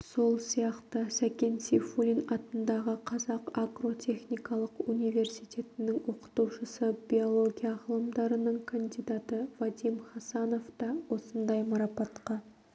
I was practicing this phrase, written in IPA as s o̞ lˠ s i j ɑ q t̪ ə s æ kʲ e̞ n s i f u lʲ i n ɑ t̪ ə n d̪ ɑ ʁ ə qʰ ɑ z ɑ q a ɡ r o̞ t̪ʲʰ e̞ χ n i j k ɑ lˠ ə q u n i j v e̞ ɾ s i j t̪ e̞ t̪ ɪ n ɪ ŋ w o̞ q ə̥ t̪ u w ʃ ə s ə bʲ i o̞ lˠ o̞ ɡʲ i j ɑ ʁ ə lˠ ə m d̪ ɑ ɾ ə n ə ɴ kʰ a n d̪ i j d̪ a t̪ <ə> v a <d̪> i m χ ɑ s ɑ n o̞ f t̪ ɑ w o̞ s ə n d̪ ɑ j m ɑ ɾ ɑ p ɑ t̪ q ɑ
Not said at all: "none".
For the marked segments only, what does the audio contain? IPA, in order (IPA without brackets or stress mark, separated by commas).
ə, d̪